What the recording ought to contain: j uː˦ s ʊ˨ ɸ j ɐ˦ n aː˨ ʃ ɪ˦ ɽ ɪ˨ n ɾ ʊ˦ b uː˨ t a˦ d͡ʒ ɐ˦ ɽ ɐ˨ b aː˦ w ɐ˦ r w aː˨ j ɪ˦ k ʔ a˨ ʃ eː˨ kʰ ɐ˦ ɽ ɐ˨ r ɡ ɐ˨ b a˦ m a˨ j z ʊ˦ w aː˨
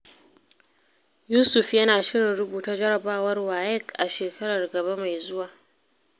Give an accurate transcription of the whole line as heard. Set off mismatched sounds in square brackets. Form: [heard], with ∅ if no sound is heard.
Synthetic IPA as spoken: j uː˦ s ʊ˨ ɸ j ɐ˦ n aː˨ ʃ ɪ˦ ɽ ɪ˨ n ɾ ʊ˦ b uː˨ t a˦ d͡ʒ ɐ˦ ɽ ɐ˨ b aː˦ w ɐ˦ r w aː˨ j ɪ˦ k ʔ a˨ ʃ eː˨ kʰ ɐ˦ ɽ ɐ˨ r ɡ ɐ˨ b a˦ m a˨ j z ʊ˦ w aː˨